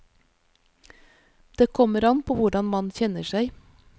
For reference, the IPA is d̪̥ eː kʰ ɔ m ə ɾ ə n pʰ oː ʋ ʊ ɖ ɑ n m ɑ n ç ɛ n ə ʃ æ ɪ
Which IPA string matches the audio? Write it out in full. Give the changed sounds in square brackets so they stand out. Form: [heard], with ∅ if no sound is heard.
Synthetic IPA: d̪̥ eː kʰ ɔ m ə ɾ [ɑ] n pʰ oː ʋ ʊ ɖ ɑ n m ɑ n ç ɛ n ə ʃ æ ɪ